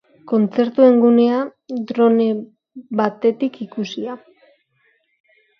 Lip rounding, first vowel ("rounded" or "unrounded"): rounded